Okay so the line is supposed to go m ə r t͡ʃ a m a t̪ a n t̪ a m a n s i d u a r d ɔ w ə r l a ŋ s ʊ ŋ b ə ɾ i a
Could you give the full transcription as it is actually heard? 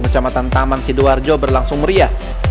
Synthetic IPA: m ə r t͡ʃ a m a t̪ a n t̪ a m a n s i d u a r d͡ʒ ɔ b ə r l a ŋ s ʊ ŋ m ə ɾ i a